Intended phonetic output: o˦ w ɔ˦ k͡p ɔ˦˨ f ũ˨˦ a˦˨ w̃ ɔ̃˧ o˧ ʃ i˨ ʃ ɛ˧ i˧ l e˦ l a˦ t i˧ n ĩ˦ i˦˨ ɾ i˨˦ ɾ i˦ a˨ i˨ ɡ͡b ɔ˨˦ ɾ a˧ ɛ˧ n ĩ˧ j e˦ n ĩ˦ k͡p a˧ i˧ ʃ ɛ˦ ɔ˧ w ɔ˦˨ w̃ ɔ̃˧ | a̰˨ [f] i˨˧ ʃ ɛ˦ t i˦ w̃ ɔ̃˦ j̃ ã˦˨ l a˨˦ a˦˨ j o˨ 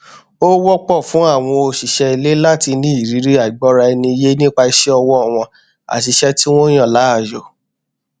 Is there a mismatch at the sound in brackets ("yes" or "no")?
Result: yes